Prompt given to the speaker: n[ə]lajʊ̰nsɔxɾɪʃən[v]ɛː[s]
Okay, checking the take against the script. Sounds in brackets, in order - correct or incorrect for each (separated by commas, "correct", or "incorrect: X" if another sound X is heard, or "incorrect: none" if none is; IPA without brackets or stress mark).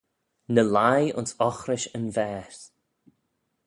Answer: correct, correct, correct